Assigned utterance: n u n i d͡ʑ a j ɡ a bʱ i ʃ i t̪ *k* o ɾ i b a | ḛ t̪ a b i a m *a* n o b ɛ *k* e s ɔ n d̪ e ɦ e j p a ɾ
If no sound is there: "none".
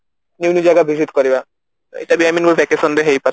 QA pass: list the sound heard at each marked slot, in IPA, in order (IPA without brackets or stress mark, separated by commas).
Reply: k, i, k